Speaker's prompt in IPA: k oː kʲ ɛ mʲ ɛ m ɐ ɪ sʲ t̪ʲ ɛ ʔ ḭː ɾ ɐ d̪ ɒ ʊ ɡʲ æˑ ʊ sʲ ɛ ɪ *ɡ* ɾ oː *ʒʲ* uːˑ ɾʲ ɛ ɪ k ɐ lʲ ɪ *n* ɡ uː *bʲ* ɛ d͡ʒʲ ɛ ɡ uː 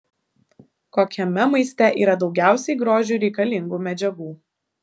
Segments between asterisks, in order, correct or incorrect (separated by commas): correct, correct, incorrect, incorrect